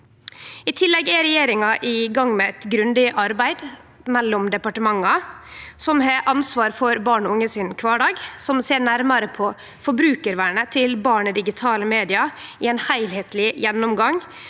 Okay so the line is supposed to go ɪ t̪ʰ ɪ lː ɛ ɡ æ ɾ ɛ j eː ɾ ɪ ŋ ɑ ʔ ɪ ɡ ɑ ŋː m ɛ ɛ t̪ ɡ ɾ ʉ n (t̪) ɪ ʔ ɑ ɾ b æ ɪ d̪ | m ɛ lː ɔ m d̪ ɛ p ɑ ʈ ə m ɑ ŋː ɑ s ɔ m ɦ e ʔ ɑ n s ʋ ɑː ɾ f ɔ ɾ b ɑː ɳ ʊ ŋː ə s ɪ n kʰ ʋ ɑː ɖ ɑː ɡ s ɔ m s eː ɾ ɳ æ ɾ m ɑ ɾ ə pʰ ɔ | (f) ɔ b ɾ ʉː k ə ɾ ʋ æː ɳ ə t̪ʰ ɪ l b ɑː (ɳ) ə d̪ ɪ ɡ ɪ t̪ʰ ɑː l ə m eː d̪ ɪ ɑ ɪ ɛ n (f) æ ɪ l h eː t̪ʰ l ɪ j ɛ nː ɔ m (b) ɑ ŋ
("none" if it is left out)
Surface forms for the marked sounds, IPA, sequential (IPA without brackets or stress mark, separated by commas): d̪, f, ɳ, h, ɡ